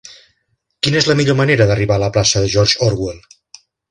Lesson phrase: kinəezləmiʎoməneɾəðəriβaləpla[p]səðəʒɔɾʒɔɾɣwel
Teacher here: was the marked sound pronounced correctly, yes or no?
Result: no